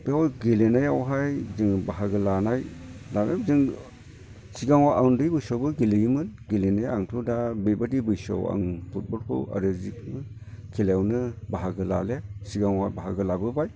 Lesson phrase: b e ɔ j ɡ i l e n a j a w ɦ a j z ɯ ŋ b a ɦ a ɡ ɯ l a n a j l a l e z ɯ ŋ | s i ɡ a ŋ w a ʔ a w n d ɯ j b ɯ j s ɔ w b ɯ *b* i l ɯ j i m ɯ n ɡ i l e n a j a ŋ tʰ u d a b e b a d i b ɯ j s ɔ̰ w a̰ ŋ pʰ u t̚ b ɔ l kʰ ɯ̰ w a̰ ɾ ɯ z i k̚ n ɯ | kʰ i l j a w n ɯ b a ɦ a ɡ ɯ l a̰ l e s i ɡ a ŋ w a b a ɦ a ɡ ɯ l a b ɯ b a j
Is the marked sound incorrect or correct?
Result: incorrect: ɡ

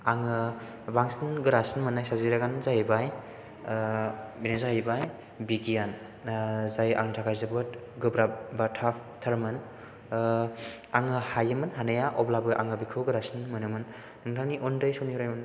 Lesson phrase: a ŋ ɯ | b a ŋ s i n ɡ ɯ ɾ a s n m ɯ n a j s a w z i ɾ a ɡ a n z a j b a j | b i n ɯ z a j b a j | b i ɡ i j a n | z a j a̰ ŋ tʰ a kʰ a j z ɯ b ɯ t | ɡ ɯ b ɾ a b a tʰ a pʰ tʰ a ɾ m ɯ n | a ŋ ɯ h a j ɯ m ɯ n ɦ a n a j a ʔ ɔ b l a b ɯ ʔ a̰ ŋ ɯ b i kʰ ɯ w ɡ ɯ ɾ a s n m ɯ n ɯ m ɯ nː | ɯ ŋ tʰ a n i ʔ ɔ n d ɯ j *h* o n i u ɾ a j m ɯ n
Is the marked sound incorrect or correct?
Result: incorrect: s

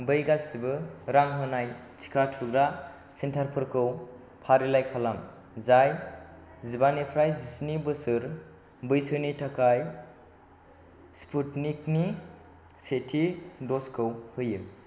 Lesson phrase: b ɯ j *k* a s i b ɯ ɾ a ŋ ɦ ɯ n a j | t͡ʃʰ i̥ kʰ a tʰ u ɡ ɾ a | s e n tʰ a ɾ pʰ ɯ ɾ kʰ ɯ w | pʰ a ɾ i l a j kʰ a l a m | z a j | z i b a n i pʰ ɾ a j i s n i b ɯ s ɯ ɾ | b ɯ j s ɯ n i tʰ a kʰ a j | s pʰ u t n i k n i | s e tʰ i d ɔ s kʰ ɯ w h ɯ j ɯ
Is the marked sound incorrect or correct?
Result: incorrect: ɡ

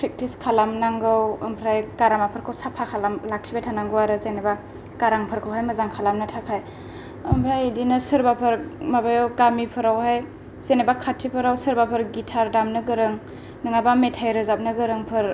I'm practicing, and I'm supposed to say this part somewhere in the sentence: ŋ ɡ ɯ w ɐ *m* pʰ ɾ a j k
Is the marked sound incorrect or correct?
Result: correct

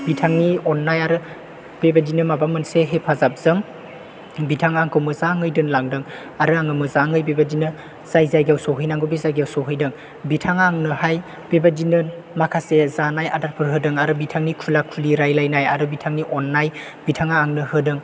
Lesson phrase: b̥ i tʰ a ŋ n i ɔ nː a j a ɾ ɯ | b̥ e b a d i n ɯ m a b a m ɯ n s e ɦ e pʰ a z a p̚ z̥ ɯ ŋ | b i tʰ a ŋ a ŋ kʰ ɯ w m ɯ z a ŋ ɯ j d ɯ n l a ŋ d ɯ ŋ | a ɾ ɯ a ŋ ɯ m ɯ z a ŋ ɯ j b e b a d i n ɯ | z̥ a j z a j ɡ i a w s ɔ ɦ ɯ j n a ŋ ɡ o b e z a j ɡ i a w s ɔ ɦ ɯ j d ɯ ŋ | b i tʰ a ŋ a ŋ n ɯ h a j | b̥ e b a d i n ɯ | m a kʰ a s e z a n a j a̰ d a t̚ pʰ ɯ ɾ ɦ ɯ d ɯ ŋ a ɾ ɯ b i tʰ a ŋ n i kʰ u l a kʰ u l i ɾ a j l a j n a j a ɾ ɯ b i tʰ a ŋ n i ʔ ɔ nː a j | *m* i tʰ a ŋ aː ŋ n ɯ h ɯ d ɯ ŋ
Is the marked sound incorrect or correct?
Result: incorrect: b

